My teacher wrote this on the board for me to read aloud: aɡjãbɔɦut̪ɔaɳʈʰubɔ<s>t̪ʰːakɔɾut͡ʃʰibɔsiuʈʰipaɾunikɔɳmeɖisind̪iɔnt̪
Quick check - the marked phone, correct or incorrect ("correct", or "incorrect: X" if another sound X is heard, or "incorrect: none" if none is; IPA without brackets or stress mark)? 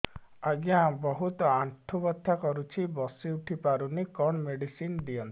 incorrect: none